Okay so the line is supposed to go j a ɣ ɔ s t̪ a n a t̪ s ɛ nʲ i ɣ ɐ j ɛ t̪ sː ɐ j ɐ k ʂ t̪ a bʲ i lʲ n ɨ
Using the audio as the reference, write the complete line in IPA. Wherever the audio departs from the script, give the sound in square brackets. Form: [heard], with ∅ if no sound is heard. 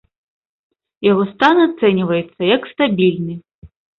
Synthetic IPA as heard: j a ɣ ɔ s t̪ a n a t̪ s ɛ nʲ i [v] ɐ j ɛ t̪ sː ɐ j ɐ k [s] t̪ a bʲ i lʲ n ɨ